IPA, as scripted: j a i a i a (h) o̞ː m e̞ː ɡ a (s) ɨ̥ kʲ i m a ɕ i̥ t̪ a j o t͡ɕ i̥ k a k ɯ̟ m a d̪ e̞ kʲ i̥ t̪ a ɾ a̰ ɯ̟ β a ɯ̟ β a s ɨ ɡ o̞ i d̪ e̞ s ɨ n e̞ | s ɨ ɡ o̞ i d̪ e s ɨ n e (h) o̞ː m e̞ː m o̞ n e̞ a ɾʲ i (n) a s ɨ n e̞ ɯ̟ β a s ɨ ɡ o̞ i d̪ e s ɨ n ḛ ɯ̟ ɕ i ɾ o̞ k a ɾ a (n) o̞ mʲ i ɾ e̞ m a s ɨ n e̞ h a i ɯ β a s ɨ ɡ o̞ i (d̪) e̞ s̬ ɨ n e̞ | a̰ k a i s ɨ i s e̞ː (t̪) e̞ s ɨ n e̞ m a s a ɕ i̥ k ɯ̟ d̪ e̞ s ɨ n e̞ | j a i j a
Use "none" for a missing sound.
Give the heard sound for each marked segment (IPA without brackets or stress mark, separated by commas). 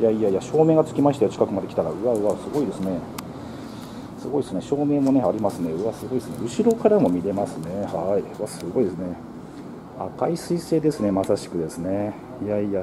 ɕ, t͡s, ɕ, m, m, d̪, d̪